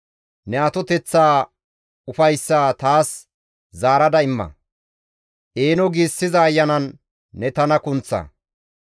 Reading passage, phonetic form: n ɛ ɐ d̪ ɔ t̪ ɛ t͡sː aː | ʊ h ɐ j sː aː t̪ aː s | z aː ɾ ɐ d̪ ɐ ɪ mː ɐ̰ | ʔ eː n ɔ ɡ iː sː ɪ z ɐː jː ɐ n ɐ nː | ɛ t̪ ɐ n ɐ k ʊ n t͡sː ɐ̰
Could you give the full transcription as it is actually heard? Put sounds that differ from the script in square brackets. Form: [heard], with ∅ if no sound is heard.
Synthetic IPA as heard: n ɛ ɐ [t̪] ɔ t̪ ɛ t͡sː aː | ʊ [f] ɐ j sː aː t̪ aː s | z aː ɾ ɐ d̪ ɐ ɪ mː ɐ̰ | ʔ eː n ɔ ɡ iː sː ɪ z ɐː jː ɐ n ɐ nː | ɛ t̪ ɐ n ɐ k ʊ n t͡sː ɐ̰